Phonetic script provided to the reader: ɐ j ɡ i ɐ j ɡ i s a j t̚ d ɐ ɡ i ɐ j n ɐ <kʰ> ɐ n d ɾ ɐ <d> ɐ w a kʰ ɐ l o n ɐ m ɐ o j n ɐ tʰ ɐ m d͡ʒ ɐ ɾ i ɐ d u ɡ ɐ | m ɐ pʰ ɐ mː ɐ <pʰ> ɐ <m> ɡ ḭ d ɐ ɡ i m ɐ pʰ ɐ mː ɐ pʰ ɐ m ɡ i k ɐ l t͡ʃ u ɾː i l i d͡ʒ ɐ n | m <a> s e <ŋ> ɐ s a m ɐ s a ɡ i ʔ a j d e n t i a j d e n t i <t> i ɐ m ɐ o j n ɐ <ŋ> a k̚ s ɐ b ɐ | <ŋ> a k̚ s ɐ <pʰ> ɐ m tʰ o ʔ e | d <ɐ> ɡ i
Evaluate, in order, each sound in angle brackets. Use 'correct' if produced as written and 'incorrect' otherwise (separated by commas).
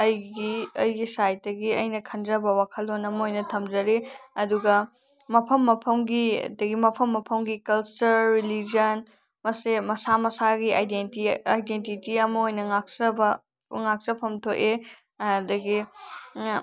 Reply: correct, incorrect, correct, correct, incorrect, incorrect, correct, correct, correct, correct, correct